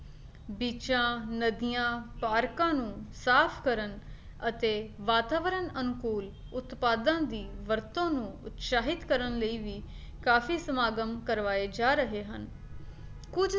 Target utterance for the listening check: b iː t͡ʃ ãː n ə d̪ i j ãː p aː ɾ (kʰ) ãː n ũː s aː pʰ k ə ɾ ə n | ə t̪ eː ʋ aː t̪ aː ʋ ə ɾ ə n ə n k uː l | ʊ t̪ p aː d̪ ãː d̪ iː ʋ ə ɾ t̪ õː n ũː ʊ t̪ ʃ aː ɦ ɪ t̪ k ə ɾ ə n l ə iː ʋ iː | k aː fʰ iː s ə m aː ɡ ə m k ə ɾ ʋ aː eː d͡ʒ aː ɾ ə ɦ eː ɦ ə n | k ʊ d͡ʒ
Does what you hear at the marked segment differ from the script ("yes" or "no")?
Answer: yes